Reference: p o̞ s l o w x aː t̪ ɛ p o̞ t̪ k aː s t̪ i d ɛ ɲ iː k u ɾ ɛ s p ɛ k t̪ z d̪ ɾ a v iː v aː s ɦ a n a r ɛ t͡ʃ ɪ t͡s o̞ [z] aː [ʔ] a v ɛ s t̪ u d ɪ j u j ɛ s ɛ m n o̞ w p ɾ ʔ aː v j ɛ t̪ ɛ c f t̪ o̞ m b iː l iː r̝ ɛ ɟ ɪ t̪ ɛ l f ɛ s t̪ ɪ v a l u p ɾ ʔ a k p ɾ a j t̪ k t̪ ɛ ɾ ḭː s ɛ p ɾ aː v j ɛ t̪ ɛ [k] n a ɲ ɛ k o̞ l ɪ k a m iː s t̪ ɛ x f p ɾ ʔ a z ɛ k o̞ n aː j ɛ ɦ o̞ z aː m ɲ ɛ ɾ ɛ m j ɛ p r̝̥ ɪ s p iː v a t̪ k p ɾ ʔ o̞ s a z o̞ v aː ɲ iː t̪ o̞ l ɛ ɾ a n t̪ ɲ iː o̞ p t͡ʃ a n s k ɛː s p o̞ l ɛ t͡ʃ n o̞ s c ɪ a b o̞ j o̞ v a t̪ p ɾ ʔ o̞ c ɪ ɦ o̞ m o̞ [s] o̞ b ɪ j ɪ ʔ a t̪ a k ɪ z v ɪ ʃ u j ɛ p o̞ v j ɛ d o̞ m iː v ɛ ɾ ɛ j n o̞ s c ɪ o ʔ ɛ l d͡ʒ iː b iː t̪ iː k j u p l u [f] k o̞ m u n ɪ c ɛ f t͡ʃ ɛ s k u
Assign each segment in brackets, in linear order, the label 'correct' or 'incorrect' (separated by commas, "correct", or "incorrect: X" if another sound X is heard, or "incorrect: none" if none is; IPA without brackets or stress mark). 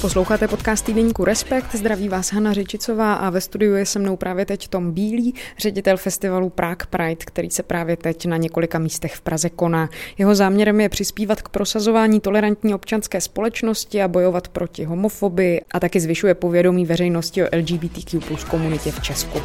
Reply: incorrect: v, correct, incorrect: c, incorrect: f, incorrect: s